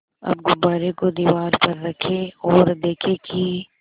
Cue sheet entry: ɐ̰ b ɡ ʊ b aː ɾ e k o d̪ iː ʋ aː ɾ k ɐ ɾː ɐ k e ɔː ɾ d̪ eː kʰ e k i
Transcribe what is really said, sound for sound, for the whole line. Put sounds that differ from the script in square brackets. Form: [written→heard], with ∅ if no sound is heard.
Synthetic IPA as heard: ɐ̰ b ɡ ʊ b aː ɾ e k o d̪ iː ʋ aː ɾ [k→p] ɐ ɾː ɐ [k→kʰ] e ɔː ɾ d̪ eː kʰ e k i

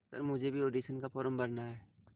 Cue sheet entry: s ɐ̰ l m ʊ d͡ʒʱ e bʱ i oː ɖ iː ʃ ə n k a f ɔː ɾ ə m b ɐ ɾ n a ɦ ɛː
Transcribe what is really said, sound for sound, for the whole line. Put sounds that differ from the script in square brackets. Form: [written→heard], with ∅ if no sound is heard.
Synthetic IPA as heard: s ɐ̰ [l→ɾ] m ʊ d͡ʒʱ e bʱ i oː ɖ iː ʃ ə n k a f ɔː ɾ ə m b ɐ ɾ n a ɦ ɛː

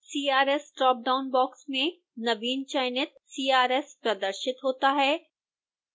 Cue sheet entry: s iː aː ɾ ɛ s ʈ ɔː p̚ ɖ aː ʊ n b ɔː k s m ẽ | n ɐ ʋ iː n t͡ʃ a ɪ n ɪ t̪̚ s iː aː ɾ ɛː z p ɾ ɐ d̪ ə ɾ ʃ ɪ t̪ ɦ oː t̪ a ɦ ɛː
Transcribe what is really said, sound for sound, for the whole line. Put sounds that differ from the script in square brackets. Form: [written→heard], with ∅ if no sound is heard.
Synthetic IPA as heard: s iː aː ɾ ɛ s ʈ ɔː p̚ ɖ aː ʊ n b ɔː k s m ẽ | n ɐ ʋ iː n t͡ʃ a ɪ n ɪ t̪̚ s iː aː ɾ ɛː [z→s] p ɾ ɐ d̪ ə ɾ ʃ ɪ t̪ ɦ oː t̪ a ɦ ɛː

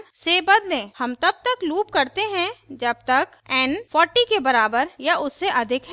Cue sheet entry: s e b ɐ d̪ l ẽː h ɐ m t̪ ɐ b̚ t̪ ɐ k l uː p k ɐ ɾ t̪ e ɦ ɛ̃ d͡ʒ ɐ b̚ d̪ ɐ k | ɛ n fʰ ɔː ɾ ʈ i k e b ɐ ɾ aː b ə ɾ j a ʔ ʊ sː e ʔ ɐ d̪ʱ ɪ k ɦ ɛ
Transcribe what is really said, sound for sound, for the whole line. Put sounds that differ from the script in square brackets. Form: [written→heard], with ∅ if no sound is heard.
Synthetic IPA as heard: s e b ɐ d̪ l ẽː h ɐ m t̪ ɐ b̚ t̪ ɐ k l uː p k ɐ ɾ t̪ e ɦ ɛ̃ d͡ʒ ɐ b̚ [d̪→t̪] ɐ k | ɛ n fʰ ɔː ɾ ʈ i k e b ɐ ɾ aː b ə ɾ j a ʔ ʊ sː e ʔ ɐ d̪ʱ ɪ k ɦ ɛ

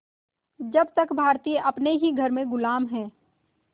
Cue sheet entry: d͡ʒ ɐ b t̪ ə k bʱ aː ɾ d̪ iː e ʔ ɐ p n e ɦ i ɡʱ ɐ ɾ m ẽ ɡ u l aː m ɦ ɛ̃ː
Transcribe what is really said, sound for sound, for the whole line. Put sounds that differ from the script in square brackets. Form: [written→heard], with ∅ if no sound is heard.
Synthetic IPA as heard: d͡ʒ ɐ b t̪ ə k bʱ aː ɾ [d̪→t̪] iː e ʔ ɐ p n e ɦ i ɡʱ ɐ ɾ m ẽ ɡ [u→ʊ] l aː m ɦ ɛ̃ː

